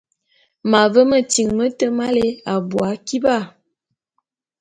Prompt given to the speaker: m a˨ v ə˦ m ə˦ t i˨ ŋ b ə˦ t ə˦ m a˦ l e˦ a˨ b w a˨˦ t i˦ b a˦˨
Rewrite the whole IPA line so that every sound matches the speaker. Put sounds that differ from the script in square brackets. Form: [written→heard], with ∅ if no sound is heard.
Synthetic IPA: m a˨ v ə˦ m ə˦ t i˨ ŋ [b→m] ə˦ t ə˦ m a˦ l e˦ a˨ b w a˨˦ [t→k] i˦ b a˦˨

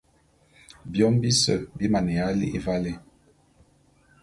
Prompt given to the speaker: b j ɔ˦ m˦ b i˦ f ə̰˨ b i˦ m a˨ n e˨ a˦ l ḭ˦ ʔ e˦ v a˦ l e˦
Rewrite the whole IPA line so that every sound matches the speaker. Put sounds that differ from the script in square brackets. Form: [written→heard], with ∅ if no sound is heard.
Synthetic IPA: b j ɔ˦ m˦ b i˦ [f→s] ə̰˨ b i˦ m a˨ n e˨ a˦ l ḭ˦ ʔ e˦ v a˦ l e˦

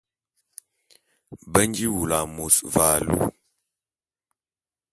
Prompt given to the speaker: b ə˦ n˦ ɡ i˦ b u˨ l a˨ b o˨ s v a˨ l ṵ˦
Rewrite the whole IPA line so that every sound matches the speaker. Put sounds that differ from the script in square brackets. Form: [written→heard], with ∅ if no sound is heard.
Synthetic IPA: b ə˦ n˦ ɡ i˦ [b→w] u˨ l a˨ [b→m] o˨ s v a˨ l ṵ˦

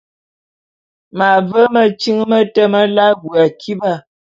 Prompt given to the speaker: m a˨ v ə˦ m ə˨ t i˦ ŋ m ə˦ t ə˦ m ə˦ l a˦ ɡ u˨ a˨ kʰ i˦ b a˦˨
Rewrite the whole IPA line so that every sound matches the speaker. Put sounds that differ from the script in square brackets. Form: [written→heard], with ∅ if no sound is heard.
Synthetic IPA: m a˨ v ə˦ m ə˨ [t→t͡ʃ] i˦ ŋ m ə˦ t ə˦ m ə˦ l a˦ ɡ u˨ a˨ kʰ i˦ b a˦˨

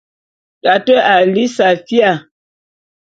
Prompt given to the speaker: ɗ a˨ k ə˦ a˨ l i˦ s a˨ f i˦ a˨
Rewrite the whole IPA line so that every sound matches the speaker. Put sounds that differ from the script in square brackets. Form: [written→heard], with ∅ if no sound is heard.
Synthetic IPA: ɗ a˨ [k→t] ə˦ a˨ l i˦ s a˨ f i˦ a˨

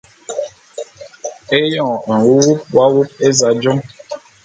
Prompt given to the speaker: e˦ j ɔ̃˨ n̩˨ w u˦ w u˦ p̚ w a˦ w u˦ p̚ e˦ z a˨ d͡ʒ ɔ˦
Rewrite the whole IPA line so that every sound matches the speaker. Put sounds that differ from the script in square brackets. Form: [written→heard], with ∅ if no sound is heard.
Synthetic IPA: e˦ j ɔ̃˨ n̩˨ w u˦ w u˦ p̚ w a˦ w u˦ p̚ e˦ z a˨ d͡ʒ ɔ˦

